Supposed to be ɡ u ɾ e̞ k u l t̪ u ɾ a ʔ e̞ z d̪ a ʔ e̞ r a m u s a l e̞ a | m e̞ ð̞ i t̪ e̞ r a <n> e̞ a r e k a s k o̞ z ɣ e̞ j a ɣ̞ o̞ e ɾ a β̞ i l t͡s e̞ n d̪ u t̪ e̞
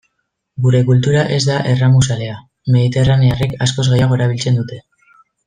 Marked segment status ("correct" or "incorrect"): correct